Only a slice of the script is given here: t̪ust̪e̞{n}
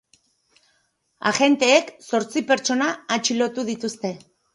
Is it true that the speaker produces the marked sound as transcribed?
no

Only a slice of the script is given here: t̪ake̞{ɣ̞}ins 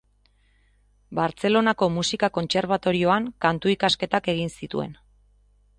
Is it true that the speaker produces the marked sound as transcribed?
yes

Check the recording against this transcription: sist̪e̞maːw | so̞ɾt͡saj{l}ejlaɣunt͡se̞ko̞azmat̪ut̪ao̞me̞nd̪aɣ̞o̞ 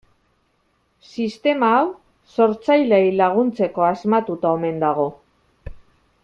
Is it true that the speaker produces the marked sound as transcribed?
yes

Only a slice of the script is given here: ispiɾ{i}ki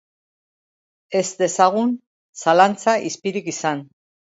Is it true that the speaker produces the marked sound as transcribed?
yes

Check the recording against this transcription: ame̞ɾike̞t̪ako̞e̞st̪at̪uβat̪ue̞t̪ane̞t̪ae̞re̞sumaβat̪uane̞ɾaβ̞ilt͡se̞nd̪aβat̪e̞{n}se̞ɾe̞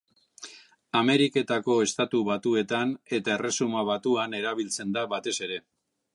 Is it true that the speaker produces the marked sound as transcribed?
no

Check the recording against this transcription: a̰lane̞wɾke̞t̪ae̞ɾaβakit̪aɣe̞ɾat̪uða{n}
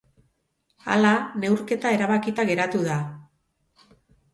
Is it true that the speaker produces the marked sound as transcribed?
no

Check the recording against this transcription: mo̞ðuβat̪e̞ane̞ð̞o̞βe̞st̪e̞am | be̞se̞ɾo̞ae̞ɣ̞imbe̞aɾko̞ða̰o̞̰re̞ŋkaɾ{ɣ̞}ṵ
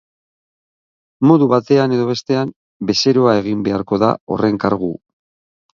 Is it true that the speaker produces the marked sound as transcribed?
yes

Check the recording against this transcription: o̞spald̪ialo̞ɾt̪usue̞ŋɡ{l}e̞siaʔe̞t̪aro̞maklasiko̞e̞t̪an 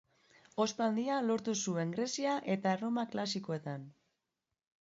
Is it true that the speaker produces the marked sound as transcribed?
no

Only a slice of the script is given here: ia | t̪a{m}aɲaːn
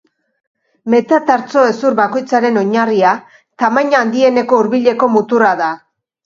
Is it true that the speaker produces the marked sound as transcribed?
yes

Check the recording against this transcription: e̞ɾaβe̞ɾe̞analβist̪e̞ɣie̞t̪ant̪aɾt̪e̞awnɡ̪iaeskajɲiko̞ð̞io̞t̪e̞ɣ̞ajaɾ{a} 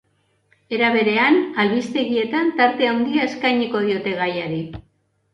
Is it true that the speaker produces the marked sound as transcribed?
no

